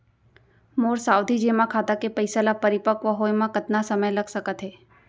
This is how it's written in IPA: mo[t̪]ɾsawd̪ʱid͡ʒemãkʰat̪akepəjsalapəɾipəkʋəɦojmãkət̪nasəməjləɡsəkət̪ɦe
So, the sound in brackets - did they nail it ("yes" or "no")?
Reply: no